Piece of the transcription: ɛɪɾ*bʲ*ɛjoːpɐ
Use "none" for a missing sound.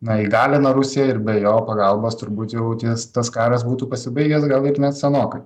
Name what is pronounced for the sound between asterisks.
bʲ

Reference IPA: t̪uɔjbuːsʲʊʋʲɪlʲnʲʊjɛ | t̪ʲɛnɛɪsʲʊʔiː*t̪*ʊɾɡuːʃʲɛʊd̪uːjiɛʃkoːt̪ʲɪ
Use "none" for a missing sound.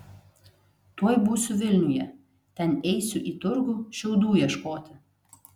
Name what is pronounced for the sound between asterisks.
t̪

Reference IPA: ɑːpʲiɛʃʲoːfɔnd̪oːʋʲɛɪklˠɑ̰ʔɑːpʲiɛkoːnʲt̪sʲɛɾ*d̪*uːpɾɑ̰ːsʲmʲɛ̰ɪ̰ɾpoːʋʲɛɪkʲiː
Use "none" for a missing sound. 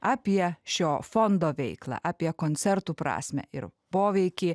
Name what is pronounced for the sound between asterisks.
t̪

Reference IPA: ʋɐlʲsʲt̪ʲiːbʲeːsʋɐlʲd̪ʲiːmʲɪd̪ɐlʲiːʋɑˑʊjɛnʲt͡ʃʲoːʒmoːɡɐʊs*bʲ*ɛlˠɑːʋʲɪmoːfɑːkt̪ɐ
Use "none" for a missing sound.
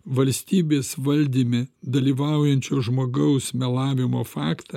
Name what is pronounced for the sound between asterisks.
mʲ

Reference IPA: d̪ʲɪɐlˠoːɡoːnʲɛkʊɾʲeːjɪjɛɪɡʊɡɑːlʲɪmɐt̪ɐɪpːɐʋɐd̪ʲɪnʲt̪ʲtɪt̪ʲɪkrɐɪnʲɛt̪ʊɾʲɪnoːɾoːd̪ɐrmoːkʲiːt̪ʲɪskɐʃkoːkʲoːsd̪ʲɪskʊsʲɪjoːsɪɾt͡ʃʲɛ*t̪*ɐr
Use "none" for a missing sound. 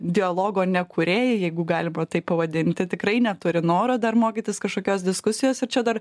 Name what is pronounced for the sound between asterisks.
d̪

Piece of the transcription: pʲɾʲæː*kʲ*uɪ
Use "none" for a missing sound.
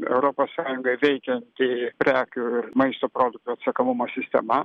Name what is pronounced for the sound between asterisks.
kʲ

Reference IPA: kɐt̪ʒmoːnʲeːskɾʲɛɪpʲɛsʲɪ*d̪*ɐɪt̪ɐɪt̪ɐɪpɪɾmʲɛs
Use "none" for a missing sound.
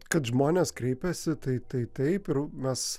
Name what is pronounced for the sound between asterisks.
t̪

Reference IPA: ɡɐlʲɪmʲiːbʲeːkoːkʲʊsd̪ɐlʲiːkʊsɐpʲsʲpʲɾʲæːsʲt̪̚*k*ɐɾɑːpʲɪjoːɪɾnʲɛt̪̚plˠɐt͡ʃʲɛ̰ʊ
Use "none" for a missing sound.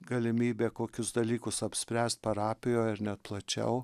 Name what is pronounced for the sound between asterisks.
p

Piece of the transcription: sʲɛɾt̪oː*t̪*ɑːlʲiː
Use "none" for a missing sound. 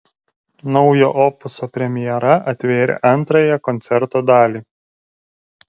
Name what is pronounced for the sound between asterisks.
d̪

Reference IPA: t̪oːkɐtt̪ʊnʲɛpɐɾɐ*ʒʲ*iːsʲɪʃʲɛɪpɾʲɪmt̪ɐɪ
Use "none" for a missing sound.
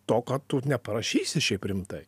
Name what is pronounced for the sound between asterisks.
ʃʲ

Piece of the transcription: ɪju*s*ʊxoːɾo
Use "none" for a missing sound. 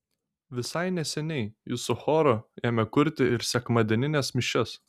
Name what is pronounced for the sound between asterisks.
s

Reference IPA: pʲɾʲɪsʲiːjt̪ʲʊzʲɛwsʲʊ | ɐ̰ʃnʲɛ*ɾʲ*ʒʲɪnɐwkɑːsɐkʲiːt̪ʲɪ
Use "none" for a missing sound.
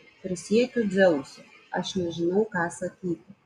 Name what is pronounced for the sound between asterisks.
none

